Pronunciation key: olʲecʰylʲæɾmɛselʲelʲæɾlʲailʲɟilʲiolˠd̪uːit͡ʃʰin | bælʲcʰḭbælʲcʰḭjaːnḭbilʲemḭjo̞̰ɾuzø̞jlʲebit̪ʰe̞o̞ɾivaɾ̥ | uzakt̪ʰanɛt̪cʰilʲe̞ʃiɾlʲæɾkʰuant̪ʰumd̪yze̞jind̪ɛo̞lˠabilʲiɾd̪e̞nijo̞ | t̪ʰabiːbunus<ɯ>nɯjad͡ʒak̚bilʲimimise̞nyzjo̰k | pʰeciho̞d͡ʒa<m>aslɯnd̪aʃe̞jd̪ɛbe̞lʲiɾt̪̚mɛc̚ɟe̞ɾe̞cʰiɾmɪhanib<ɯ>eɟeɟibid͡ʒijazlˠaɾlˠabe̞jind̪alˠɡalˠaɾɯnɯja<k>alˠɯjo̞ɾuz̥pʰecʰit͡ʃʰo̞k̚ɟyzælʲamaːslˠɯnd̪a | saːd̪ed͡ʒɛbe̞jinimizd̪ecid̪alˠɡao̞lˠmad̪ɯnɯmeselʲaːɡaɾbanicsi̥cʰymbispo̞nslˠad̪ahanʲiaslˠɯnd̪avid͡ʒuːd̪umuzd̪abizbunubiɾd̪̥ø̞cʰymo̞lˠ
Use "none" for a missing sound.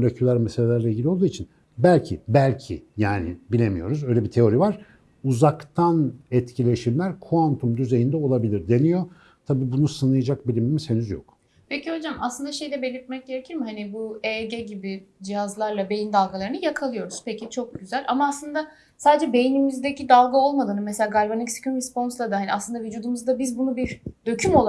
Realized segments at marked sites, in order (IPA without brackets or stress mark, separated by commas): ɯ, m, u, kʰ